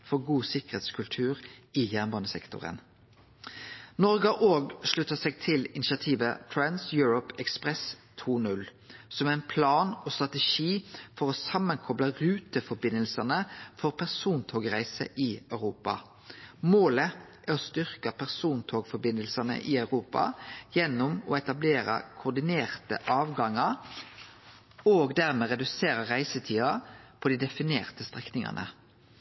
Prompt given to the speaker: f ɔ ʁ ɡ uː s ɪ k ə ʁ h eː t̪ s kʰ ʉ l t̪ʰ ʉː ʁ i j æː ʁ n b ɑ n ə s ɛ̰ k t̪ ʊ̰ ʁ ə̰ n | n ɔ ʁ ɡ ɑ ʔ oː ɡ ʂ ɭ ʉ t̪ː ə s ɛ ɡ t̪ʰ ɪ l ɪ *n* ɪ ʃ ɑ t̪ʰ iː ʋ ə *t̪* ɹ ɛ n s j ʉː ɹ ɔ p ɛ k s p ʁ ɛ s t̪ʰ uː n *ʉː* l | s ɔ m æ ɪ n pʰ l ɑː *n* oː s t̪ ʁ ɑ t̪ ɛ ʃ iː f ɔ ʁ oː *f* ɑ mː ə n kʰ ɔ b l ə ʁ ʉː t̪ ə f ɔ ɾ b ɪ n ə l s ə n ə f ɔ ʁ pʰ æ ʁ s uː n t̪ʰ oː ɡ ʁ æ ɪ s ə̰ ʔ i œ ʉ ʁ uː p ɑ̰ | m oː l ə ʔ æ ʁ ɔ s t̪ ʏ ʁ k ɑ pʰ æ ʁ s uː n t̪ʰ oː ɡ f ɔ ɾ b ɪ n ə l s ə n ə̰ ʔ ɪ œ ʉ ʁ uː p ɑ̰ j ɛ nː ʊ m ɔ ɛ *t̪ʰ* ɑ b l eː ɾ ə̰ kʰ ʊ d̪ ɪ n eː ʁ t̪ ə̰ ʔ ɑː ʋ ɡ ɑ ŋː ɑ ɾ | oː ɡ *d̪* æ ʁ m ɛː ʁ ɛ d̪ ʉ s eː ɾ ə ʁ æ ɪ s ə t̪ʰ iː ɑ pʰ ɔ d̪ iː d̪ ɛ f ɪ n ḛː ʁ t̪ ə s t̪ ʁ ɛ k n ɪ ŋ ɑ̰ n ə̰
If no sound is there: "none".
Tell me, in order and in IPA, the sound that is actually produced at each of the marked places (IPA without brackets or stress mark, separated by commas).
n, t̪ʰ, ʉ, n, s, t̪, d̪